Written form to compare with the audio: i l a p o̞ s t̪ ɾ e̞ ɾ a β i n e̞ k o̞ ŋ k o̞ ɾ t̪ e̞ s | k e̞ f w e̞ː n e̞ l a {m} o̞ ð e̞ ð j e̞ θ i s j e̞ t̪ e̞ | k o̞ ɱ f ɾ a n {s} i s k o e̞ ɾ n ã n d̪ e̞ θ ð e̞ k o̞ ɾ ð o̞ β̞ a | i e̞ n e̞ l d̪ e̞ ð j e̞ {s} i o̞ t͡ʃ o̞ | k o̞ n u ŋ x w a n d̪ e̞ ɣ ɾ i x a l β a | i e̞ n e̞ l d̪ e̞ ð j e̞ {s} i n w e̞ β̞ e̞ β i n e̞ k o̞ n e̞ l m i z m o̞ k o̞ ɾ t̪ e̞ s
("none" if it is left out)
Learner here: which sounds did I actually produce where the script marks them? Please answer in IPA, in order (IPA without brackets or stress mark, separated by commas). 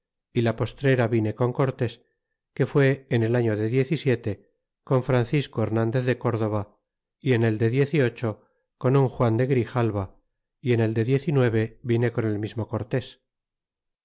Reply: ɲ, θ, θ, θ